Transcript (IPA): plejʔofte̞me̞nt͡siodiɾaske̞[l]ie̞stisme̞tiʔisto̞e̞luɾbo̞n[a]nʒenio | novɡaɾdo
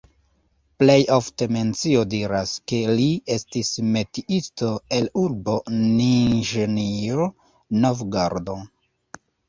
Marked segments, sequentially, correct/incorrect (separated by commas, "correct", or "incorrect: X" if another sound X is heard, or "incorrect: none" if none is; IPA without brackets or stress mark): correct, incorrect: i